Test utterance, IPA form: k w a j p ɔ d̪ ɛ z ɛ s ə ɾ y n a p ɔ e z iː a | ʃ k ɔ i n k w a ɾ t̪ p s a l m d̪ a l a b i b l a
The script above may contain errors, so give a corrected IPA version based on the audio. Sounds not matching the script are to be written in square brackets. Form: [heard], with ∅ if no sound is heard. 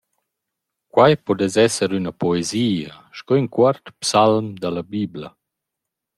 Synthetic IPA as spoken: k w a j p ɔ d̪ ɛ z ɛ s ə ɾ y n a p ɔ e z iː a | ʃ k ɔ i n k w a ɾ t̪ p s a l m d̪ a l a b i b l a